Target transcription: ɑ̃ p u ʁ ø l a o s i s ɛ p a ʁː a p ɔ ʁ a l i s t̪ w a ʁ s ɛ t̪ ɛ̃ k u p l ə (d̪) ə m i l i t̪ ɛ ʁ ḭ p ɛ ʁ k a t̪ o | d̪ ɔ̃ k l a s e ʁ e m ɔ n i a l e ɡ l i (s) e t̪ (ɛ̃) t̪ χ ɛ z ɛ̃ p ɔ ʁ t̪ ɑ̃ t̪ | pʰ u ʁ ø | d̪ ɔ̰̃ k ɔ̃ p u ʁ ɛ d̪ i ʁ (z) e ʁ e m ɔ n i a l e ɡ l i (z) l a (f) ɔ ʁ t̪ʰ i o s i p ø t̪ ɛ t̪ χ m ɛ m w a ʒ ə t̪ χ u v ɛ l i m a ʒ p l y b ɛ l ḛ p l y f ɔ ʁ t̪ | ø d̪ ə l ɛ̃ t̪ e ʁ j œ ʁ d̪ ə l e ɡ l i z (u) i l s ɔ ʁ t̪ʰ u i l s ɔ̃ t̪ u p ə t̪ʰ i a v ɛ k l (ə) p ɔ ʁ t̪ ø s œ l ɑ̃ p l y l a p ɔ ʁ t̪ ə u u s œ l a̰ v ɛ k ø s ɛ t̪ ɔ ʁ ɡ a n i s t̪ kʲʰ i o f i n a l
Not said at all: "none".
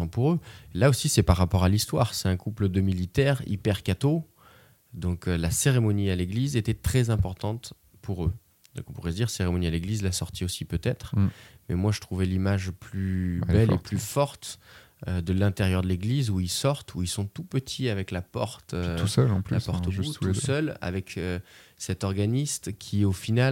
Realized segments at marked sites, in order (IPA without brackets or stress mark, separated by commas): d̪, z, ɛ, s, z, s, u, a